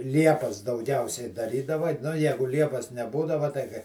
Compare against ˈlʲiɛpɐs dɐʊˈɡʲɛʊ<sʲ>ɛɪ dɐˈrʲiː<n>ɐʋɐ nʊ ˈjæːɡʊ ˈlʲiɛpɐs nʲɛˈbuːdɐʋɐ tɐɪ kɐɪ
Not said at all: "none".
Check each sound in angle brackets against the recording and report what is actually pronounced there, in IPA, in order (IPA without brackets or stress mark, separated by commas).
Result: sʲ, d